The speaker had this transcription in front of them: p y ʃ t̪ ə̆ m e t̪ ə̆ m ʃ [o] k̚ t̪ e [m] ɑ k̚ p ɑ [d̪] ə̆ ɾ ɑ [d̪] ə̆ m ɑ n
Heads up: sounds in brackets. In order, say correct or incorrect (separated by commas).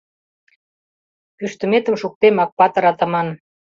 incorrect, correct, incorrect, incorrect